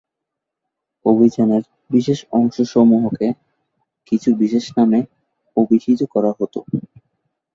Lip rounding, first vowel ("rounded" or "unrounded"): rounded